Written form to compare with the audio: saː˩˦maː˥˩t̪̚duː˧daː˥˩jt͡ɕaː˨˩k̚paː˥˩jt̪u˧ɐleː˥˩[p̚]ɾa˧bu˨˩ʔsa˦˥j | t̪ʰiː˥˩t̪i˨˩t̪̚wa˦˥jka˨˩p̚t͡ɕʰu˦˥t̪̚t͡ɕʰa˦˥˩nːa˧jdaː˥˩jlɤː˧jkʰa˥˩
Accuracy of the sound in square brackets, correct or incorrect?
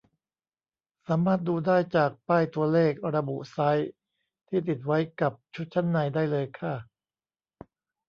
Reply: incorrect